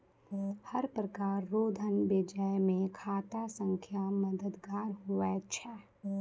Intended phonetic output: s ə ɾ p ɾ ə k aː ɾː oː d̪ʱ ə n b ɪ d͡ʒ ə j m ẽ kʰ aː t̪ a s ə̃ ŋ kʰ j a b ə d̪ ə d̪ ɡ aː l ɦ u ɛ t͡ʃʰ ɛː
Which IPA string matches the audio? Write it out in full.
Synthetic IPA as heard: h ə ɾ p ɾ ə k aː ɾː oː d̪ʱ ə n b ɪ d͡ʒ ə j m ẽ kʰ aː t̪ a s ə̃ ŋ kʰ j a m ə d̪ ə d̪ ɡ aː ɾ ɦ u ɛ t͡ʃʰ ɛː